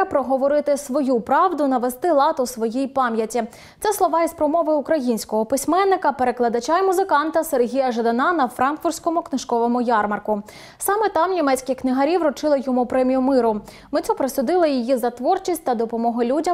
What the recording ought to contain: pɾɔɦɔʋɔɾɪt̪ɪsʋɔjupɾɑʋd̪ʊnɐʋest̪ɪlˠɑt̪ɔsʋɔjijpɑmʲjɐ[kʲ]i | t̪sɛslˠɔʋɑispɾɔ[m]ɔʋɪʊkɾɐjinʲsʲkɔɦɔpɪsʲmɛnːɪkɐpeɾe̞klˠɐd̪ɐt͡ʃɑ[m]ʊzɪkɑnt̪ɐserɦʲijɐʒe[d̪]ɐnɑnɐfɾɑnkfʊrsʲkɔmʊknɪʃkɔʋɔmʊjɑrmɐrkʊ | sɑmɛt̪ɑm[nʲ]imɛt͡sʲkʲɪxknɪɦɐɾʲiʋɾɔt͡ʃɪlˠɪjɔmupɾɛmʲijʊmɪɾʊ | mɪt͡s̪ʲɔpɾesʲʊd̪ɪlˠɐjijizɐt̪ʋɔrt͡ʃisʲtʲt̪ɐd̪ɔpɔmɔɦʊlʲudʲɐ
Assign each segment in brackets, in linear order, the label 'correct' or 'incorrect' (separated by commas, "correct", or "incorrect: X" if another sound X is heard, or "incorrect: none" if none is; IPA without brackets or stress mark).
incorrect: tʲ, correct, correct, correct, correct